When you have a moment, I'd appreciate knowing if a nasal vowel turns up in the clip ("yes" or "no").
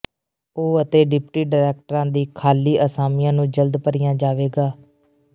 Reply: yes